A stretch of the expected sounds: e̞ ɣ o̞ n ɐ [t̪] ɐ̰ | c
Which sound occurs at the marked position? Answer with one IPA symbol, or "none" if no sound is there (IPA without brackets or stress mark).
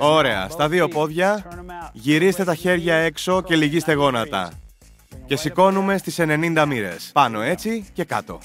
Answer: t̪